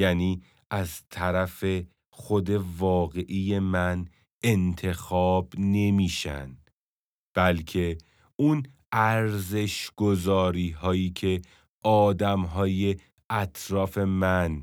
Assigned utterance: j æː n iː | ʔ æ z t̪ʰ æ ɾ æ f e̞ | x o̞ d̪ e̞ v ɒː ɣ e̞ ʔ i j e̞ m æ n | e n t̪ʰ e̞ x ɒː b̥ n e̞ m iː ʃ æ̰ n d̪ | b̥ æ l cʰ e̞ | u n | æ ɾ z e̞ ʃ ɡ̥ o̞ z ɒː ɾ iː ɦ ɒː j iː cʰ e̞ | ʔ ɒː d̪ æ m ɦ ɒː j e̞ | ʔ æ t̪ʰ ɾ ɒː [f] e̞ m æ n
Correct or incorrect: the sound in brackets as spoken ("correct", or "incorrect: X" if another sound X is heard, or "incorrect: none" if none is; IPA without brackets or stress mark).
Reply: correct